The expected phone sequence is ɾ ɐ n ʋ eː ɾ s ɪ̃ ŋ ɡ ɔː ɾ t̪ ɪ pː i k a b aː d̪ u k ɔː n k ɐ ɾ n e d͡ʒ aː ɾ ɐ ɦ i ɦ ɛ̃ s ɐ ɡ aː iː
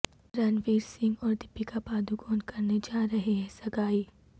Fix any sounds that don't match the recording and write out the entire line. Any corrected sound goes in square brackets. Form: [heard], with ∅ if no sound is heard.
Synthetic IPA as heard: ɾ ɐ n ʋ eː ɾ s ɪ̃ ŋ ɡ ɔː ɾ [d̪] ɪ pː i k a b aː d̪ u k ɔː n k ɐ ɾ n e d͡ʒ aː ɾ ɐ ɦ [e] ɦ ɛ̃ s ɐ ɡ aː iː